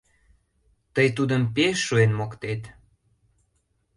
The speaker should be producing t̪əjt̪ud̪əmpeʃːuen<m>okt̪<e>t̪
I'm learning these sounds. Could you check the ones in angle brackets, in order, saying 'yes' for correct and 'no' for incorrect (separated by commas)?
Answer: yes, yes